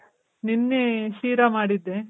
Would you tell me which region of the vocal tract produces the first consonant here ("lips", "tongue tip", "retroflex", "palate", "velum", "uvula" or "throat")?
tongue tip